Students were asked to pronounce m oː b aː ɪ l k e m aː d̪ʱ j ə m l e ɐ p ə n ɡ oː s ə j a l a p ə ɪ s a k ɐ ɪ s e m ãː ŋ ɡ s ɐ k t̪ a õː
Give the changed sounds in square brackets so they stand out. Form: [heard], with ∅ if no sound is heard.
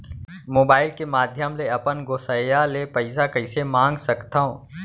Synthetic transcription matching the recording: m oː b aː ɪ l k e m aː d̪ʱ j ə m l e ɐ p ə n ɡ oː s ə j a l [e] p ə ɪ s a k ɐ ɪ s e m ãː ŋ ɡ s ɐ k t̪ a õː